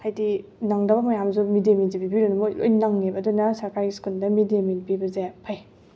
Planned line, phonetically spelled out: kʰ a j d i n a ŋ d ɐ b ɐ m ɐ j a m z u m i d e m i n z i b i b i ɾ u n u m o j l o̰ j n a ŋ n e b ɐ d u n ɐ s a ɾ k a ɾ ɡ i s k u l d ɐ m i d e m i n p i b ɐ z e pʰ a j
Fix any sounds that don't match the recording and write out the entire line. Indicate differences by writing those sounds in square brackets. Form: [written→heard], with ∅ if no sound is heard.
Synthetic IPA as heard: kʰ a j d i n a ŋ d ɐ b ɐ m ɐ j a m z u m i d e m i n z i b i b i ɾ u n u m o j l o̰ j n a ŋ n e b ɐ d u n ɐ s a ɾ k a ɾ ɡ i s k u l d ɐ m i d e m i n p i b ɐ z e pʰ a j